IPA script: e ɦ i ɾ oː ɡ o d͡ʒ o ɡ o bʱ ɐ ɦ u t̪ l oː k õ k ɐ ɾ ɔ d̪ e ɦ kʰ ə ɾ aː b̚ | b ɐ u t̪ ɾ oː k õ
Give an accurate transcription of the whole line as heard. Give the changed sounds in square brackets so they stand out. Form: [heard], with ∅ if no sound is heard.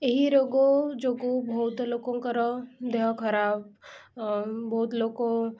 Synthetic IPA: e ɦ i ɾ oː ɡ o d͡ʒ o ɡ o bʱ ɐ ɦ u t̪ l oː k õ k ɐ ɾ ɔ d̪ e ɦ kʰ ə ɾ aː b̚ | b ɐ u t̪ [l] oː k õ